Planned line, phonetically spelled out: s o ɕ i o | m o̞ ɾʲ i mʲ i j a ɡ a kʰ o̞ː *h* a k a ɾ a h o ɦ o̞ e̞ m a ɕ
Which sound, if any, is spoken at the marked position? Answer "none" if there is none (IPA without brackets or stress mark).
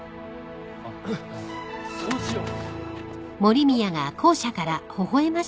ɕ